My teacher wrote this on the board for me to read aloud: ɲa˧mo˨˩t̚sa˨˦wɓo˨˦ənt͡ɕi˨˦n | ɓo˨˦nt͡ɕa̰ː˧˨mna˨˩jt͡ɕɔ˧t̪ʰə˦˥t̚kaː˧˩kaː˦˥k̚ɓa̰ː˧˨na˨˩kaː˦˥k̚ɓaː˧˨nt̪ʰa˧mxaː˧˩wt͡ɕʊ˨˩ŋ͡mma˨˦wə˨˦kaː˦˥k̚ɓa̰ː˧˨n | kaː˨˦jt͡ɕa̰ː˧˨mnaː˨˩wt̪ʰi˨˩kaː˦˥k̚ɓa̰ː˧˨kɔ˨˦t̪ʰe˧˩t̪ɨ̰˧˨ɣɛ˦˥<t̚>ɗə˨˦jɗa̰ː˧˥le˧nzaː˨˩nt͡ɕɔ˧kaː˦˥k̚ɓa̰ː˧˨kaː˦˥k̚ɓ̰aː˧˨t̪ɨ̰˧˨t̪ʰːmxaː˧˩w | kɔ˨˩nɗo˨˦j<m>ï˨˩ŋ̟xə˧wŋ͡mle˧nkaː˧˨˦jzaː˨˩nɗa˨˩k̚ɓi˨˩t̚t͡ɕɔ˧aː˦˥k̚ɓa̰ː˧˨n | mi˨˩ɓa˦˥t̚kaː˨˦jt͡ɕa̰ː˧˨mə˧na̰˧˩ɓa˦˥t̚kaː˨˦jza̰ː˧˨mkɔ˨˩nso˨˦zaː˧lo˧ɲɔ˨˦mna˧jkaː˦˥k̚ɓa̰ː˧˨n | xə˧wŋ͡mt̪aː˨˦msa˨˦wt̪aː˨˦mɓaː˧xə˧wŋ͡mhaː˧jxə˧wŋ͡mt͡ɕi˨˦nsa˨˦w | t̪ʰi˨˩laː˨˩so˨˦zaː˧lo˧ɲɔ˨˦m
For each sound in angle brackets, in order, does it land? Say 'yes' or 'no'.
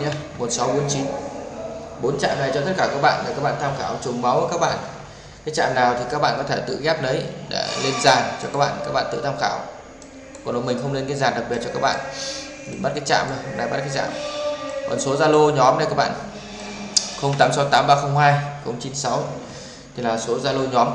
no, yes

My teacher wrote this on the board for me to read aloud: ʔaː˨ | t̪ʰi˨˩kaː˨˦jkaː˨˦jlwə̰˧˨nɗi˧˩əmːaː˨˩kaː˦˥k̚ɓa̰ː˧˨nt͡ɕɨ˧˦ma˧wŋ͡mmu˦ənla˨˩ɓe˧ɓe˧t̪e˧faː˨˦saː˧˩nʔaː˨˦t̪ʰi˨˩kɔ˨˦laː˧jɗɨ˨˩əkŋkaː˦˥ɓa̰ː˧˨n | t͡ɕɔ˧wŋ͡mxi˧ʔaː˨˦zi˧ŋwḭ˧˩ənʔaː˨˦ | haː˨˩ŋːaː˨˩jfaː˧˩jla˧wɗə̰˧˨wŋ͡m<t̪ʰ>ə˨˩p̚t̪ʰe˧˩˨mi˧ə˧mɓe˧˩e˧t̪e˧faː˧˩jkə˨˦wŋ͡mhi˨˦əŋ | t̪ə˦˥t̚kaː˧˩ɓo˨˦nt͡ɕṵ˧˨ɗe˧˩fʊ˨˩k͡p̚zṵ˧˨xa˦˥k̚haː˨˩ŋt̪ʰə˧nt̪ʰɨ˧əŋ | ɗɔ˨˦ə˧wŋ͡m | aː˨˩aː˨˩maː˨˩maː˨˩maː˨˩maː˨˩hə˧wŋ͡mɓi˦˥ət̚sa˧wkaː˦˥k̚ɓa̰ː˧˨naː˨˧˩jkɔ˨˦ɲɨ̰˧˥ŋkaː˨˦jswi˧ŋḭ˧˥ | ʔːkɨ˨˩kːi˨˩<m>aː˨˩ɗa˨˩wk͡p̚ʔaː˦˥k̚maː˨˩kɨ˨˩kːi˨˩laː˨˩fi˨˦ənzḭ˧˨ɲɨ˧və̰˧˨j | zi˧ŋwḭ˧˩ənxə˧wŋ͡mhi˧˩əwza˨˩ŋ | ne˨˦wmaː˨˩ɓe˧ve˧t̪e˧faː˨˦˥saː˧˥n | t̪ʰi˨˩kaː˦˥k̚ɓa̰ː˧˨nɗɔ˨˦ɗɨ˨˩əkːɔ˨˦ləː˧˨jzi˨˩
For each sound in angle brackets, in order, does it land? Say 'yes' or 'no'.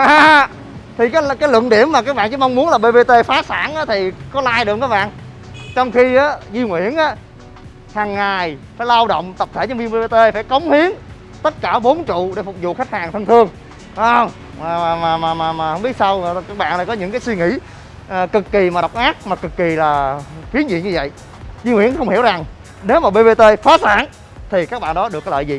no, yes

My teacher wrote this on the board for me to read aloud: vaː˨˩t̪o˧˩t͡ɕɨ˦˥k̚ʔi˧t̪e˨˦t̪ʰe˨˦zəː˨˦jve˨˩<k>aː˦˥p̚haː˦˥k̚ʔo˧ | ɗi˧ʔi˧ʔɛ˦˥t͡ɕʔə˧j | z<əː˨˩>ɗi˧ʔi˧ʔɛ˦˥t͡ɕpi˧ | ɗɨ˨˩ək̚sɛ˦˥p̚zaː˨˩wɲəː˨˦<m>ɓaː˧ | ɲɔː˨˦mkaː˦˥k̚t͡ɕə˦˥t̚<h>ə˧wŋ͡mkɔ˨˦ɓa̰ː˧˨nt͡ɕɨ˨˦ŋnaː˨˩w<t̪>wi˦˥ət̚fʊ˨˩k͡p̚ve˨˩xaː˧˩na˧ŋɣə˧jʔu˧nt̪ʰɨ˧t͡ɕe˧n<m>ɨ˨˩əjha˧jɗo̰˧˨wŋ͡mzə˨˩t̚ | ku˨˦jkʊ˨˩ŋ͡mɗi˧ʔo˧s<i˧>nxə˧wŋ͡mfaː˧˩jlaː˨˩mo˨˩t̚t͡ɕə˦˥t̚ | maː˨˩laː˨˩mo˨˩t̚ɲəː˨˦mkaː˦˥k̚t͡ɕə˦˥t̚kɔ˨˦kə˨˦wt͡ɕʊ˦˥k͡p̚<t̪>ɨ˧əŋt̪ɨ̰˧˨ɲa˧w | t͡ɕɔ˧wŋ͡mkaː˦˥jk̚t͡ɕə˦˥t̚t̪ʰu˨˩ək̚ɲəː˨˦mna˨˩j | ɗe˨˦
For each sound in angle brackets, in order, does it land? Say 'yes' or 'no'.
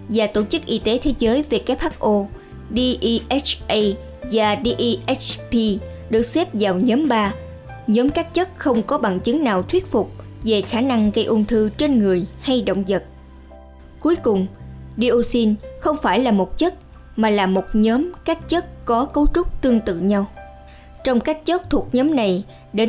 yes, no, yes, no, no, no, yes, yes

